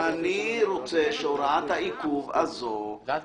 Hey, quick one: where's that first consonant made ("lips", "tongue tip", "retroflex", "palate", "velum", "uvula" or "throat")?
tongue tip